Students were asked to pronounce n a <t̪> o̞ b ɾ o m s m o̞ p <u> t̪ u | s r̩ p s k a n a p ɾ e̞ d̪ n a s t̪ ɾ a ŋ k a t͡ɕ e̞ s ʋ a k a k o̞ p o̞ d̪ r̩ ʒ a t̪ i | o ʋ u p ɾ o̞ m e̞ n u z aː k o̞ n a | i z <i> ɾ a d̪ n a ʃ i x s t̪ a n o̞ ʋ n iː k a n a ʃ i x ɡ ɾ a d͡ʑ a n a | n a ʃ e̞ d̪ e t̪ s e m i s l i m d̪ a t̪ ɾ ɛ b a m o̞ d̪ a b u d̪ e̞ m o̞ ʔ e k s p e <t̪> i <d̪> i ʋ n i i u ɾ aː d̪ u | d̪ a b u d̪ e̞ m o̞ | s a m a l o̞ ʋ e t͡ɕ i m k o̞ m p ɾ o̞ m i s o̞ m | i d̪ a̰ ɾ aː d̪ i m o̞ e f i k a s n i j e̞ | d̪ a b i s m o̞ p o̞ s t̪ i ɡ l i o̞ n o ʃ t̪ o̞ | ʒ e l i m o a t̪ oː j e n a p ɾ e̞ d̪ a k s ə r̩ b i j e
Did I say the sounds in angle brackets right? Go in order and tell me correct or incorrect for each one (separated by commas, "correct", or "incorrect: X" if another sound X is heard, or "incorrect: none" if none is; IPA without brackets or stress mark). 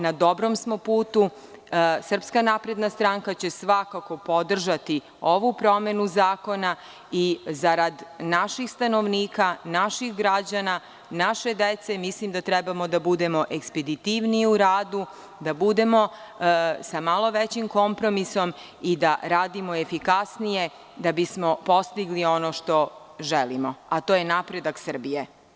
incorrect: d̪, incorrect: uː, incorrect: a, incorrect: d̪, incorrect: t̪